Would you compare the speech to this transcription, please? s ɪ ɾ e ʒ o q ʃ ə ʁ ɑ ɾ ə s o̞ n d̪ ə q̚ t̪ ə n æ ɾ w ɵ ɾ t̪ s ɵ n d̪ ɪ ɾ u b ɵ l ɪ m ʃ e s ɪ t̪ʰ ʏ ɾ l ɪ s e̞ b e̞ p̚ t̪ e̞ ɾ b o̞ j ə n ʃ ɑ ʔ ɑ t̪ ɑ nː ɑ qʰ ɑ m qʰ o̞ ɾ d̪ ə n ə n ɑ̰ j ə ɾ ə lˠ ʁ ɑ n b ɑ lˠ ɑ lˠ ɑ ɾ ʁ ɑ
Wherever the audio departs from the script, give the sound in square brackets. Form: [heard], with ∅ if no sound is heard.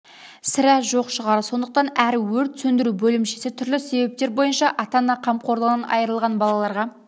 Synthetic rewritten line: s ɪ ɾ [æ] ʒ o q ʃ ə ʁ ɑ ɾ ə s o̞ n d̪ ə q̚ t̪ [ɑ] n æ ɾ w ɵ ɾ t̪ s ɵ n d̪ ɪ ɾ u b ɵ l ɪ m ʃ e s ɪ t̪ʰ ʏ ɾ l ɪ s e̞ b e̞ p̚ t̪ e̞ ɾ b o̞ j ə n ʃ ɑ ʔ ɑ t̪ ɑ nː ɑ qʰ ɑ m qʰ o̞ ɾ d̪ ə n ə n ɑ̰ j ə ɾ ə lˠ ʁ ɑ n b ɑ lˠ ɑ lˠ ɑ ɾ ʁ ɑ